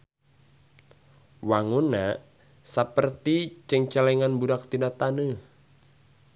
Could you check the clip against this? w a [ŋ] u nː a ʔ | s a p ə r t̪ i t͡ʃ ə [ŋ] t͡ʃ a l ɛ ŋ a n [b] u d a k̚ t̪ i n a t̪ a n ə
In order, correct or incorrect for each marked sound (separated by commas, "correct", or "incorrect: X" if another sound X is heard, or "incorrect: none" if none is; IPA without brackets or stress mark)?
correct, correct, correct